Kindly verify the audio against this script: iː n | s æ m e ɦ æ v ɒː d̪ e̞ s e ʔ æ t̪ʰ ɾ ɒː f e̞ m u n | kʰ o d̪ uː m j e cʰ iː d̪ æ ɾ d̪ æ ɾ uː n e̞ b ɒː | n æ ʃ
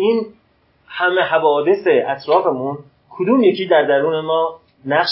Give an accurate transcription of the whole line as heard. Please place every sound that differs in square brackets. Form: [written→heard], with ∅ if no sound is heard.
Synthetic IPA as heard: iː n | [s→h] æ m e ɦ æ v ɒː d̪ e̞ s e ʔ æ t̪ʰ ɾ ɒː f e̞ m u n | kʰ o d̪ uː m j e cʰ iː d̪ æ ɾ d̪ æ ɾ uː n e̞ [b→m] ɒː | n æ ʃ